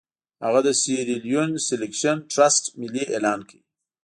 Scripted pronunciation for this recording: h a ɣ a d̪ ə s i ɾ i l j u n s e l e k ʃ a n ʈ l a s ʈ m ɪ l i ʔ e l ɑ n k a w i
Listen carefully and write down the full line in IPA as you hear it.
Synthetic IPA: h a ɣ a d̪ ə s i ɾ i l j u n s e l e k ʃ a n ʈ ɾ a s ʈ m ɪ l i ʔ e l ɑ n k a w i